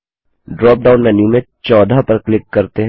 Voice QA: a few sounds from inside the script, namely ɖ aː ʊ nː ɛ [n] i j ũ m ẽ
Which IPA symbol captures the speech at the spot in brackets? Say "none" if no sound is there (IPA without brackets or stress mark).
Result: n